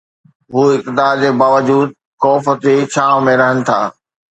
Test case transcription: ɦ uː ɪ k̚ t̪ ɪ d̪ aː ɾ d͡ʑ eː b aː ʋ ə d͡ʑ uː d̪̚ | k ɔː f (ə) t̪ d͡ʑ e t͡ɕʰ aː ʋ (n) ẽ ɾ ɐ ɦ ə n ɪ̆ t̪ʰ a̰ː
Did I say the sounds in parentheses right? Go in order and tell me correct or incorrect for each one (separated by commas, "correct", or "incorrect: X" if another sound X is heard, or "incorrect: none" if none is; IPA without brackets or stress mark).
correct, incorrect: m